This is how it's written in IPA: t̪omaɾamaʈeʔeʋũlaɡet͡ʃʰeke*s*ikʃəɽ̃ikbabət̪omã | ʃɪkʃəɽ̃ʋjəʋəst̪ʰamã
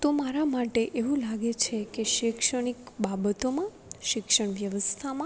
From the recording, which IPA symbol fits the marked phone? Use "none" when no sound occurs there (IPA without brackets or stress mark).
ʃ